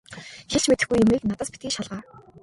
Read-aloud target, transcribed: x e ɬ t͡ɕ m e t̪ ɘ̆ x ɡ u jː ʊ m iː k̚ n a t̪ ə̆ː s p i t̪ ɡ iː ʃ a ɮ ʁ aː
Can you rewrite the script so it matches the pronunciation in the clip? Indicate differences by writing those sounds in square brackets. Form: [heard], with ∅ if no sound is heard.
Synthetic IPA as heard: x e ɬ t͡ɕ m e t̪ ɘ̆ x ɡ u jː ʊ m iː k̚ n a t̪ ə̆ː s p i t̪ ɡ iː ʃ a ɮ ʁ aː

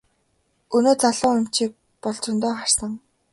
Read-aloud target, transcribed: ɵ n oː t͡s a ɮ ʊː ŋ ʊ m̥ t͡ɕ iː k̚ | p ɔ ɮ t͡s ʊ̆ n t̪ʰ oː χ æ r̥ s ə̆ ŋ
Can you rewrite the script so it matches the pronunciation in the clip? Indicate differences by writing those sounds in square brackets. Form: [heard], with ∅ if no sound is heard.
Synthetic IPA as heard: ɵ n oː t͡s a ɮ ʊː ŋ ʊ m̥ t͡ɕ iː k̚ | p ɔ ɮ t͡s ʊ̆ n [t̪] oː χ [a] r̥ s ə̆ ŋ

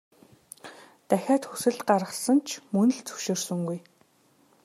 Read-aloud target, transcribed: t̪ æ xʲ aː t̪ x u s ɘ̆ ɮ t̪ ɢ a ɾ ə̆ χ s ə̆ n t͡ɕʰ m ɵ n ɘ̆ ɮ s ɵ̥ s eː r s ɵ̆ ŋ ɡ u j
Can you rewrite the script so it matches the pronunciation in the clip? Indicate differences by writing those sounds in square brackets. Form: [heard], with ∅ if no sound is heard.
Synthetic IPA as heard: t̪ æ xʲ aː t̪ x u s ɘ̆ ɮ t̪ ɢ a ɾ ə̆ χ s ə̆ n t͡ɕʰ m ɵ n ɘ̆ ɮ [t͡s] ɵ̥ [ʃ] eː r s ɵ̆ ŋ ɡ u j

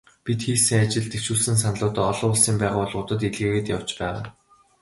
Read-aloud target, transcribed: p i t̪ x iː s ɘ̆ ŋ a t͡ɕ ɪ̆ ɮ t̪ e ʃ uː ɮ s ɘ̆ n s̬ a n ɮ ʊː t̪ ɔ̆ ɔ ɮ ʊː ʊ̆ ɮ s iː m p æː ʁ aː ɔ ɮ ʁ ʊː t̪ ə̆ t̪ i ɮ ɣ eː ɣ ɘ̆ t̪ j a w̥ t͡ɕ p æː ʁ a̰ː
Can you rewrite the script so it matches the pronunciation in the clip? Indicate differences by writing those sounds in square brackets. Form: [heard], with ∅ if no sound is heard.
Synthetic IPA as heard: p i t̪ x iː s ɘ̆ ŋ a t͡ɕ ɪ̆ ɮ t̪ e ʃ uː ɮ s ɘ̆ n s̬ a n ɮ ʊː t̪ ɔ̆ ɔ ɮ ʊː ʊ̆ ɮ s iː m p æː ʁ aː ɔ ɮ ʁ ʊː t̪ ə̆ t̪ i ɮ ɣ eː ɣ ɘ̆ t̪ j a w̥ t͡ɕ p æː ʁ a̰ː

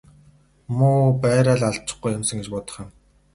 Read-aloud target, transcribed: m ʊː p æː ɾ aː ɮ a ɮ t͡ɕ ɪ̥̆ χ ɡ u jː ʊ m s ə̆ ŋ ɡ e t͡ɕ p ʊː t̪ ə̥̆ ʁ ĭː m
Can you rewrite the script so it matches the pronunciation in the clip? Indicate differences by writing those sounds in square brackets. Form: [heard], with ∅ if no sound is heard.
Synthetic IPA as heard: m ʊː p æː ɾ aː ɮ a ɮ t͡ɕ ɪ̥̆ χ ɡ u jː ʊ m s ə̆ ŋ ɡ e t͡ɕ p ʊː t̪ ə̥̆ [χ] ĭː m

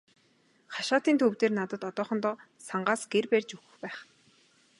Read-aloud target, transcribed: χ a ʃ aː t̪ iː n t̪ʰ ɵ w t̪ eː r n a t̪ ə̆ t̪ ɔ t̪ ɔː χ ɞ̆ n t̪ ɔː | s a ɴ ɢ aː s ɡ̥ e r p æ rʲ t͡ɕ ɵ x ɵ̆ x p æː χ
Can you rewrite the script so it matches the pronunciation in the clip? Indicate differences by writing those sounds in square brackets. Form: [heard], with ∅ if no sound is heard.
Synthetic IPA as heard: χ a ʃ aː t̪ iː n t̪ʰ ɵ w t̪ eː r n a t̪ ə̆ t̪ ɔ t̪ ɔː χ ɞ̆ n t̪ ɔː | s a ɴ ɢ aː s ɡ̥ e r p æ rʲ t͡ɕ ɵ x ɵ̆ x p æː χ

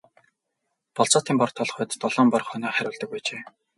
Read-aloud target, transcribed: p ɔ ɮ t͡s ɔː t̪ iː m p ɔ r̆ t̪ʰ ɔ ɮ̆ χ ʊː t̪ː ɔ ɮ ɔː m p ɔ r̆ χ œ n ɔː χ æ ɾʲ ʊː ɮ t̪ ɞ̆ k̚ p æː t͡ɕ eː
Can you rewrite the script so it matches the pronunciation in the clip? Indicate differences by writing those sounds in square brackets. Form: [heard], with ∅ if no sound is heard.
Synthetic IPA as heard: p ɔ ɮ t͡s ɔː t̪ iː m p ɔ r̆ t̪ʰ ɔ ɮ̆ χ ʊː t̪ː ɔ ɮ ɔː m p ɔ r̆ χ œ n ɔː χ æ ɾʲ ʊː ɮ t̪ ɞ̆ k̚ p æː t͡ɕ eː

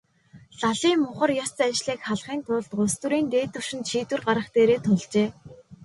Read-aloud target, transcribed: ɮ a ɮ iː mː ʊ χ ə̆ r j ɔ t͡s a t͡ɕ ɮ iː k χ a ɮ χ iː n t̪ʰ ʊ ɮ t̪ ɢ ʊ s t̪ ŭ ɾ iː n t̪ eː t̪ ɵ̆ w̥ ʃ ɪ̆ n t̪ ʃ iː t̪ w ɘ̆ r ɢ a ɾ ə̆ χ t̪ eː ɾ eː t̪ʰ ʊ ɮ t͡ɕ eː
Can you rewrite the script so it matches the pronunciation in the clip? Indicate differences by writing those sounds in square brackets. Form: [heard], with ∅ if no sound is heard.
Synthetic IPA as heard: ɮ a ɮ iː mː ʊ χ ə̆ r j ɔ t͡s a t͡ɕ ɮ iː k χ a ɮ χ iː n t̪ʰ ʊ ɮ t̪ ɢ ʊ s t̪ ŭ ɾ iː n t̪ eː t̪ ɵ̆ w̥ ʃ ɪ̆ n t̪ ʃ iː t̪ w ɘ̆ r ɢ a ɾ ə̆ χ t̪ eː ɾ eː t̪ʰ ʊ ɮ t͡ɕ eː

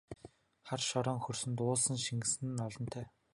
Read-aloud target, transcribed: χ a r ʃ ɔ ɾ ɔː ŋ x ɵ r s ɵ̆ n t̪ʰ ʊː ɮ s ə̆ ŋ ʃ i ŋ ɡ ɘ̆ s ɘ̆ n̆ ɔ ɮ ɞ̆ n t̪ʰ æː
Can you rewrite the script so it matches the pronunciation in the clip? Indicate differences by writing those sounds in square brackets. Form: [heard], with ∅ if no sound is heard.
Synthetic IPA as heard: χ a r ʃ ɔ ɾ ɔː ŋ x ɵ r s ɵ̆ n [t̪] ʊː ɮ s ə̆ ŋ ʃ i ŋ ɡ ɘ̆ s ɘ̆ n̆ ɔ ɮ ɞ̆ n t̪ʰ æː

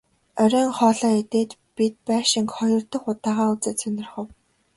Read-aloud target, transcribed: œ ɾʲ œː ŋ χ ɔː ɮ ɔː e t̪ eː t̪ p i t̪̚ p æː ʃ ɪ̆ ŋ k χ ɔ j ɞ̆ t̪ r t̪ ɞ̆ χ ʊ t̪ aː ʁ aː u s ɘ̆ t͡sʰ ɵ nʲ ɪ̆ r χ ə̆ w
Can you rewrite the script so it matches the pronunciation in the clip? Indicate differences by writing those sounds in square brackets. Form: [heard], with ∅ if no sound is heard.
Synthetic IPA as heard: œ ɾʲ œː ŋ χ ɔː ɮ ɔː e t̪ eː t̪ p i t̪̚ p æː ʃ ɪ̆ ŋ k χ ɔ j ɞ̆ [∅] r t̪ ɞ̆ χ ʊ t̪ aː ʁ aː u [t͡s] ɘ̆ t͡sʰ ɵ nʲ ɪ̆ r χ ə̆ w

